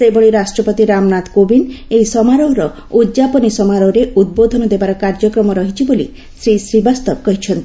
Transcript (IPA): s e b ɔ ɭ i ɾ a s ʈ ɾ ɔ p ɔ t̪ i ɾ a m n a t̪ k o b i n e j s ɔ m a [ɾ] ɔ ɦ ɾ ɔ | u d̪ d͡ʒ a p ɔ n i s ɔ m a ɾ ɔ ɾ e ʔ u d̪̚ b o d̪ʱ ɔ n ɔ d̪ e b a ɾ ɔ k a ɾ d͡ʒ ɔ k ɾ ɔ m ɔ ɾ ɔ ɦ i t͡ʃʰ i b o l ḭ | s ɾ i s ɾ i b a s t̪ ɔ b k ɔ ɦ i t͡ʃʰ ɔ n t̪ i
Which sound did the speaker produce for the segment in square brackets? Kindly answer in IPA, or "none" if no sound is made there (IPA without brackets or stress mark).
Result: ɾ